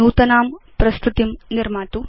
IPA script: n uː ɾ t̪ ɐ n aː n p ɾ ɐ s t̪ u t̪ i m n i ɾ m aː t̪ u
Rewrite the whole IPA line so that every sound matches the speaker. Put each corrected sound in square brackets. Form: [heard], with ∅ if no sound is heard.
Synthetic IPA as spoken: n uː [∅] t̪ ɐ n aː [m] p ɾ ɐ s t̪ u t̪ i m n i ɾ m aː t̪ u